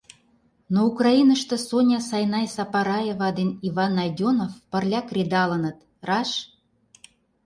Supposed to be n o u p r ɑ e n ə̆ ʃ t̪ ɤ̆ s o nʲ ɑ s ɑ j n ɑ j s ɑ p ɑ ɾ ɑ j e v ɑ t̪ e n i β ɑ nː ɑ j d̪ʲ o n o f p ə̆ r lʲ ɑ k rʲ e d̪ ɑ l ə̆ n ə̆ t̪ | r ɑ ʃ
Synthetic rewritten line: n o u k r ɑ i n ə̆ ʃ t̪ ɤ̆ s o nʲ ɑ s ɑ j n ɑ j s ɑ p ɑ ɾ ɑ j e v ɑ d̪ e n i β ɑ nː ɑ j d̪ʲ o n o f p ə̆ r lʲ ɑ k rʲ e d̪ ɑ l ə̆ n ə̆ t̪ | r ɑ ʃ